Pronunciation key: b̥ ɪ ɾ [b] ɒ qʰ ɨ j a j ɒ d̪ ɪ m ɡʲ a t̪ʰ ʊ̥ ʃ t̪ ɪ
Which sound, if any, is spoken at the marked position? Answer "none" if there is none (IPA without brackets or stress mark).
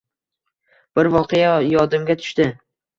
v